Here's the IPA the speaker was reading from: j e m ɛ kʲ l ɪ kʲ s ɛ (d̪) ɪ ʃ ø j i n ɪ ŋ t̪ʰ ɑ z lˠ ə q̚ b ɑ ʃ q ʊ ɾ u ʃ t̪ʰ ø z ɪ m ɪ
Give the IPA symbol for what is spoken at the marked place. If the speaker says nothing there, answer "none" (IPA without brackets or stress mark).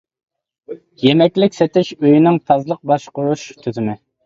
t̪